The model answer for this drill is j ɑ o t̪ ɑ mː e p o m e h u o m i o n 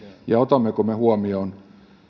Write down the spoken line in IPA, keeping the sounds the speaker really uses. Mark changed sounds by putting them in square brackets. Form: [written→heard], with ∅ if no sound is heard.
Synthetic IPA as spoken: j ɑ o t̪ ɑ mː e [p→k] o m e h u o m i o n